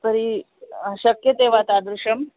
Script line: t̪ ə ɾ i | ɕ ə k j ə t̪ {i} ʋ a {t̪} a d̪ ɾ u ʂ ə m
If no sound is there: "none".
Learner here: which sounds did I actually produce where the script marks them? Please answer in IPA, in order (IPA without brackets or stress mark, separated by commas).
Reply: e, t̪